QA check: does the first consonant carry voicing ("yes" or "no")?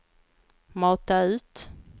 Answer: yes